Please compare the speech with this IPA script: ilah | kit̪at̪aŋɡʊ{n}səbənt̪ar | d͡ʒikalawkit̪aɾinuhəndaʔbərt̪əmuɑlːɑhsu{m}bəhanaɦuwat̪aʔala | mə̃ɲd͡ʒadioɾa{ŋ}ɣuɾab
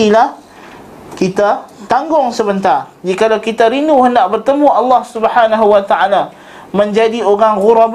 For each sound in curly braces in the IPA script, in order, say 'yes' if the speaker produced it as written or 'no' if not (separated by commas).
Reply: no, no, yes